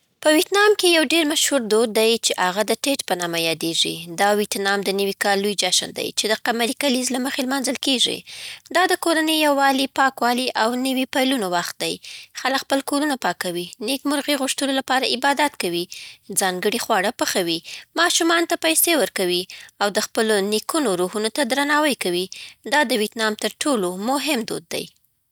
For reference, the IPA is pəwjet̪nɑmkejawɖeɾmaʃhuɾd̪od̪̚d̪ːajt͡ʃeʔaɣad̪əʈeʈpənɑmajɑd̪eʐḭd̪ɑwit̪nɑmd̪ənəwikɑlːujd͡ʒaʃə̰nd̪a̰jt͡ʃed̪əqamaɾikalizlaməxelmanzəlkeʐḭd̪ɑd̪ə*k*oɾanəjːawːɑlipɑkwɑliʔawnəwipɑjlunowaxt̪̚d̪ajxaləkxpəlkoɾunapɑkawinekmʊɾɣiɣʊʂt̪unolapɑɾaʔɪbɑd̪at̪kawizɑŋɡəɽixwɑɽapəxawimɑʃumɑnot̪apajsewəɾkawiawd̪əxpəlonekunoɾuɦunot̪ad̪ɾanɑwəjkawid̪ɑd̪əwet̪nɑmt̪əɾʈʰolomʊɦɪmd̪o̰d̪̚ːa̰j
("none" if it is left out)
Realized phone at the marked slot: k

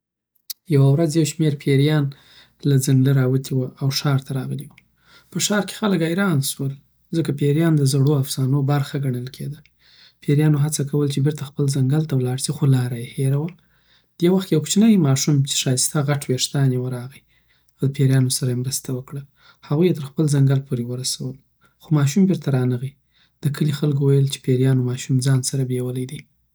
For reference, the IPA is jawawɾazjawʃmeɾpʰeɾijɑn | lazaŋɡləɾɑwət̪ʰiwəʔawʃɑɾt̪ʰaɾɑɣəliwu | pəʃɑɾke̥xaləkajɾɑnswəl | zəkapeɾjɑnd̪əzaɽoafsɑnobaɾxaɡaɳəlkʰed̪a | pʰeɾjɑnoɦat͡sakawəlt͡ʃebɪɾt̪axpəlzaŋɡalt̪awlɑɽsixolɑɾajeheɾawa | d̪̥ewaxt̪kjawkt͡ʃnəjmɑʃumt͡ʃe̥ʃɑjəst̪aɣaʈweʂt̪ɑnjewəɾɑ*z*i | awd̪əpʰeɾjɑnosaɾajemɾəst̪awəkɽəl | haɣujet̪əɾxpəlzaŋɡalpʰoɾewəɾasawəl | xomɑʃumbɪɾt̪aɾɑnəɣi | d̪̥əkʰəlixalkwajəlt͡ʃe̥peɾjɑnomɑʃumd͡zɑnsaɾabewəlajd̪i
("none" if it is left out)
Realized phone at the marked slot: ɣ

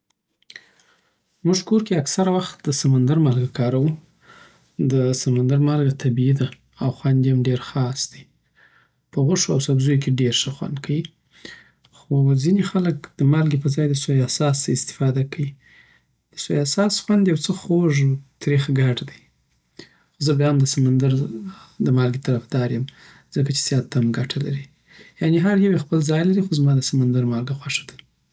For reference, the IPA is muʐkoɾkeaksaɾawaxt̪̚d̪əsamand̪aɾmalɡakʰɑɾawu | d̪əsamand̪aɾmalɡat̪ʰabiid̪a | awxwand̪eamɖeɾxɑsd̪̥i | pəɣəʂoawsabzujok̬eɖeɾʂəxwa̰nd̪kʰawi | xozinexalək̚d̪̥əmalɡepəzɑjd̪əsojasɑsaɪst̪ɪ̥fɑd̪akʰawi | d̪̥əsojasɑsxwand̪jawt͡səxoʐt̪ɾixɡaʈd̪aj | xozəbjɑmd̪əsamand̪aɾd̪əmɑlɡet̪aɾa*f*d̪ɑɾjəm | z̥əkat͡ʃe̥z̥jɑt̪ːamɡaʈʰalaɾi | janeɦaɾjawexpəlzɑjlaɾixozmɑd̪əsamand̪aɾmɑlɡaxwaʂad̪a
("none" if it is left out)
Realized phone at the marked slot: f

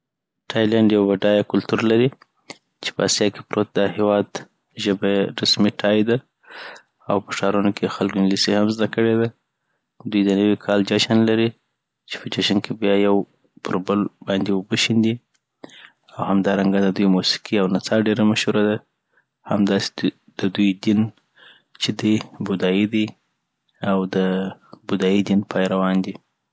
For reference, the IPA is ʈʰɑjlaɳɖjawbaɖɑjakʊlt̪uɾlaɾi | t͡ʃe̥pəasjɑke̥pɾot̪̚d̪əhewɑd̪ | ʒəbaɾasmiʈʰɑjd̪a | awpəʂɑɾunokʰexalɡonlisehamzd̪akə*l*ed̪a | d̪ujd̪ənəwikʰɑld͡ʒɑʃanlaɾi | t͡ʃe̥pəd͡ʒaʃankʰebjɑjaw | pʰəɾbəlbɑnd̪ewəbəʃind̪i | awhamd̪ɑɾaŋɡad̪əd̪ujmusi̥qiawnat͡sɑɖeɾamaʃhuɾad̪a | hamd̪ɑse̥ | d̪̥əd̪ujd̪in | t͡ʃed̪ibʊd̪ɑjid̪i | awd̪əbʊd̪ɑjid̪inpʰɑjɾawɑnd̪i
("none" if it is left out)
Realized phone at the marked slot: ɽ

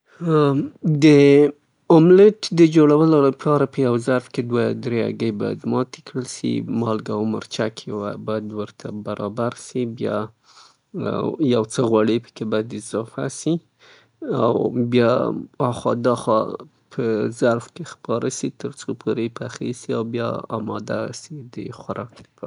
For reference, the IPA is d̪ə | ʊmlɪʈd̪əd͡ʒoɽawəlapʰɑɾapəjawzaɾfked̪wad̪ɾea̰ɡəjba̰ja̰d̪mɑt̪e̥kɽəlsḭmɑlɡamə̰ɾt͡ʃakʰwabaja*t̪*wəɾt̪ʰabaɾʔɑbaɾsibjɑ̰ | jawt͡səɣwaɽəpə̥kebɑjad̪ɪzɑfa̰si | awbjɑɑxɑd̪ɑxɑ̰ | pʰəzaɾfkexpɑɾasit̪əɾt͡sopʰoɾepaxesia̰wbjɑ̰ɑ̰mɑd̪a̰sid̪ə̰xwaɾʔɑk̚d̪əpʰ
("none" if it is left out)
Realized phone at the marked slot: d̪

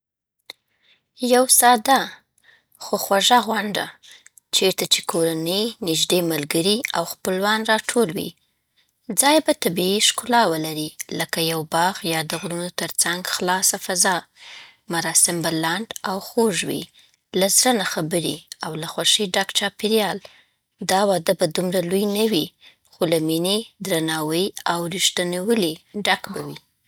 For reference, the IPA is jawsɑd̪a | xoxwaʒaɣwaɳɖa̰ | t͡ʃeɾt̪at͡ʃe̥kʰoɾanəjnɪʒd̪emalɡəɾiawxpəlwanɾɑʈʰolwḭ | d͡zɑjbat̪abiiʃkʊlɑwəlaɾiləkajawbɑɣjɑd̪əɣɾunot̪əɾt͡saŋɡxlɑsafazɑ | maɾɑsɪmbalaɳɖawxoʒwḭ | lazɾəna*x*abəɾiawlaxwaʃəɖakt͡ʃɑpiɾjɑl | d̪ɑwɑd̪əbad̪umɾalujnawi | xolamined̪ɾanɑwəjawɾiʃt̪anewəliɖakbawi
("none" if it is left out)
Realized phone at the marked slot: x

